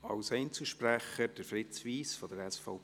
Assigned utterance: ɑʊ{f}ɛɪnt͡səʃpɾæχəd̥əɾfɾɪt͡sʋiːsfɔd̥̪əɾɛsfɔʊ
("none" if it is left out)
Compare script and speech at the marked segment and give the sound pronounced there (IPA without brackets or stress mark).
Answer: s